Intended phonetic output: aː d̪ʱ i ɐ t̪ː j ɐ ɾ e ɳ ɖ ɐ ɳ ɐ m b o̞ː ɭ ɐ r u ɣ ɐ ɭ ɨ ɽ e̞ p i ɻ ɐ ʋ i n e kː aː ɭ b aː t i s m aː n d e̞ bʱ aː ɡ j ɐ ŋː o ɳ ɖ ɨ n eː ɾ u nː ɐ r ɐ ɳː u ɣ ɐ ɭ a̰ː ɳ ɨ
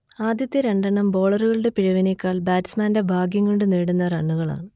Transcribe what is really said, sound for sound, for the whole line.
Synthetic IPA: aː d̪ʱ j ɐ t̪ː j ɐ ɾ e ɳ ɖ ɐ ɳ ɐ m b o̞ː ɭ ɐ r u ɣ ɐ ɭ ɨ ɽ e̞ p i ɻ ɐ ʋ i n e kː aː ɭ b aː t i s m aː n d e̞ bʱ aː ɡ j ɐ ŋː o ɳ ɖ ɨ n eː ɽ u nː ɐ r ɐ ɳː u ɣ ɐ ɭ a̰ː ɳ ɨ